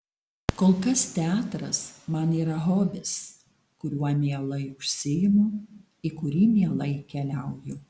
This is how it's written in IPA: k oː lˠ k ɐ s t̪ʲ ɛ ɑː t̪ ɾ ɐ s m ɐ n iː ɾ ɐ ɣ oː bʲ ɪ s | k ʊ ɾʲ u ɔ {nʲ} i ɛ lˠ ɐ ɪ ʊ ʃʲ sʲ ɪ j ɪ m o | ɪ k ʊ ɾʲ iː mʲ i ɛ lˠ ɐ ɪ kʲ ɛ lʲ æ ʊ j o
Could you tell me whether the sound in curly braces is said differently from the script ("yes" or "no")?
yes